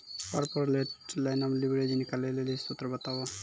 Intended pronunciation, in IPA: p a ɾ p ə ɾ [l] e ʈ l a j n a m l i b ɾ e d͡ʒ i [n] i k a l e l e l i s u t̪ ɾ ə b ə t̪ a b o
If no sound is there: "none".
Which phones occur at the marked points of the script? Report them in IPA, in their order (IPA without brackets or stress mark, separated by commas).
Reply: l, n